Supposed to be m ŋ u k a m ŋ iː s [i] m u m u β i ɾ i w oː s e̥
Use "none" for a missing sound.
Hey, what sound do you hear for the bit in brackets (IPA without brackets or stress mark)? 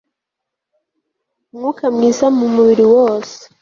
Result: a